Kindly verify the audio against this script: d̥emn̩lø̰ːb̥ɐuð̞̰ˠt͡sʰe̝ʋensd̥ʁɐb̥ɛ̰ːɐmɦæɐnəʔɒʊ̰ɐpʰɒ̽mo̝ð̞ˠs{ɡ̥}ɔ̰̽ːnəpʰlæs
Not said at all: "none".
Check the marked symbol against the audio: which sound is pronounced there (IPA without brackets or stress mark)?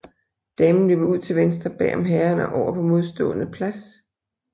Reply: d̥